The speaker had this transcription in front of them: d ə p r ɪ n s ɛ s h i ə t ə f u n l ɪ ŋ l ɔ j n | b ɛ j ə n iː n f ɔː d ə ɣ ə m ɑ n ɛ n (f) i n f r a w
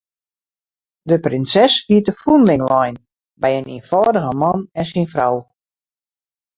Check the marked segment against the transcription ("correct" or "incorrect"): incorrect